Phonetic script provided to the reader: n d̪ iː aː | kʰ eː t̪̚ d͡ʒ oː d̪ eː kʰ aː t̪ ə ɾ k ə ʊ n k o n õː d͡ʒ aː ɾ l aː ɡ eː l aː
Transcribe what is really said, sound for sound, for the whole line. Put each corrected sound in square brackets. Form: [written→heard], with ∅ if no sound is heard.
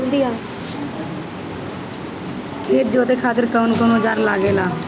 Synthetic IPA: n d̪ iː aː | kʰ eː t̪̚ d͡ʒ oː [d̪→t̪] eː kʰ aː t̪ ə ɾ k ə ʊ n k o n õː d͡ʒ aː ɾ l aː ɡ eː l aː